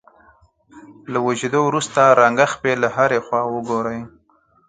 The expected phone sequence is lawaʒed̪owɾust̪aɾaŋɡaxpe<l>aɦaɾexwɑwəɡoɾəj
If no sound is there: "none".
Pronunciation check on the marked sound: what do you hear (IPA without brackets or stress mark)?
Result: l